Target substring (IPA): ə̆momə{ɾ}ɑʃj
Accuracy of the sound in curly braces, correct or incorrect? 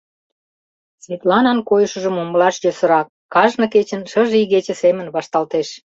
incorrect